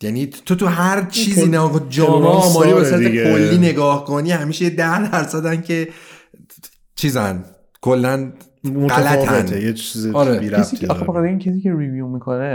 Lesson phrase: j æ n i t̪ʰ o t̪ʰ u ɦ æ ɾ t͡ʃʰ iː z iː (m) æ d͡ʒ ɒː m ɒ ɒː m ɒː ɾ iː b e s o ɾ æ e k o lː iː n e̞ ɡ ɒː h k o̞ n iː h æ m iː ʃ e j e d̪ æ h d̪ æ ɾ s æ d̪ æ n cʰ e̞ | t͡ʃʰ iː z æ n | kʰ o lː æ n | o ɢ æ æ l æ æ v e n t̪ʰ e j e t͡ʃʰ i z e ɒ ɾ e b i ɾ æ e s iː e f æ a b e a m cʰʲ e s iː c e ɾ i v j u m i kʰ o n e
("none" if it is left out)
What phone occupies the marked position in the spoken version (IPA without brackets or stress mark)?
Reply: n